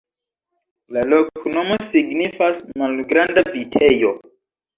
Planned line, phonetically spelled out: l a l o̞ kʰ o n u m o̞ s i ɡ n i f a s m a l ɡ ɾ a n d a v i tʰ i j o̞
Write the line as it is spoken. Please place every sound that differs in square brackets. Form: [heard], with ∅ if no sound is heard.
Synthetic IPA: l a l o̞ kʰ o n [o] m o̞ s i ɡ n i f a s m a l ɡ ɾ a n d a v i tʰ [e] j o̞